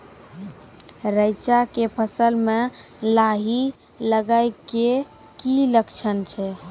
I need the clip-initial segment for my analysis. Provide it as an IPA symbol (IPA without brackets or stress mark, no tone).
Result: ɾ